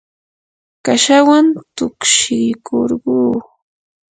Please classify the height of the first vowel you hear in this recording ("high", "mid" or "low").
low